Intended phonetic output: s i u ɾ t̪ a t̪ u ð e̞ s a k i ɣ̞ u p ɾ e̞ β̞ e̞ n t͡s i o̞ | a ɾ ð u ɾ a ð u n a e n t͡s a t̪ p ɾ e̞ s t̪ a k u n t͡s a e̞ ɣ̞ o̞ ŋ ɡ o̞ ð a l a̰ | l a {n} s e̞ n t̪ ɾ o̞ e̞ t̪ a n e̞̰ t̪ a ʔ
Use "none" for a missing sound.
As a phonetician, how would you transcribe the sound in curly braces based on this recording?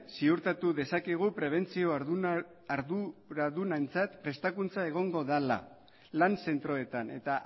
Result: n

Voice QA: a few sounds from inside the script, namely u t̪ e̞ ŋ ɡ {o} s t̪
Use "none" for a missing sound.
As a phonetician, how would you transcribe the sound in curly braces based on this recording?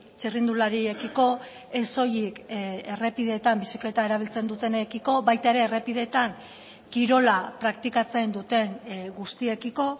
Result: u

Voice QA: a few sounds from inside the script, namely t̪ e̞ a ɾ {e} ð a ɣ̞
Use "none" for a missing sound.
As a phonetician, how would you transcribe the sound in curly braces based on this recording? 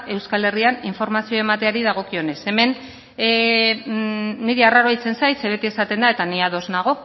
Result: i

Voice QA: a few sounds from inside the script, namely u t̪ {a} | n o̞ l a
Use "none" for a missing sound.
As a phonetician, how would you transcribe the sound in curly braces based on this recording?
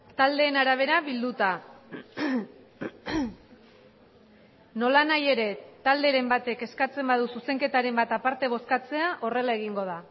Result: a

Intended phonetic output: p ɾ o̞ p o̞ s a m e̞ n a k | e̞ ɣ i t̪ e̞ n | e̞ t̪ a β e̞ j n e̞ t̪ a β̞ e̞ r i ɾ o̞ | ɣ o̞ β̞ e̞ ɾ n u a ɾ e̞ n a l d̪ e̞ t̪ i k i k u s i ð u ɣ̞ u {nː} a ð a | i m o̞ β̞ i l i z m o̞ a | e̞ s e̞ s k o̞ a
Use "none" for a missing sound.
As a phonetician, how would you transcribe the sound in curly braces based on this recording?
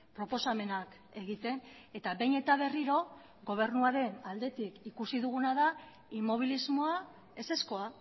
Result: n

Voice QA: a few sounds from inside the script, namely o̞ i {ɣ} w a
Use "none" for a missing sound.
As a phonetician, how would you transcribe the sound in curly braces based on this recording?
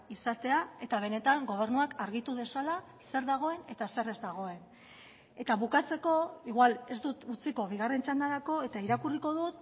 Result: ɣ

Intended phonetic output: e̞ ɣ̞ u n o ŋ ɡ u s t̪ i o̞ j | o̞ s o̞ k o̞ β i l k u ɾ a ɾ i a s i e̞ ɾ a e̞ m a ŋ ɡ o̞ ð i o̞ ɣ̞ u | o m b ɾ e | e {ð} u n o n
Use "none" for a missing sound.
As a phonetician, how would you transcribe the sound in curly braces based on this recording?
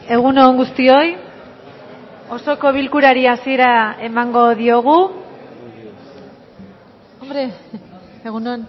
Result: ɣ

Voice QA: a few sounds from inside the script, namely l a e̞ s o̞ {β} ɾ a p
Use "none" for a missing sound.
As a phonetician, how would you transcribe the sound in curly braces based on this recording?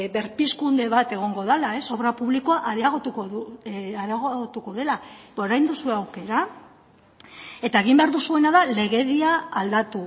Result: β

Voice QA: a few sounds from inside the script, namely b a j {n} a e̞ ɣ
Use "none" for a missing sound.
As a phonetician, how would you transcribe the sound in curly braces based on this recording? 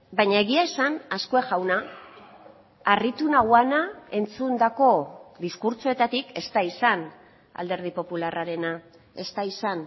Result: ɲ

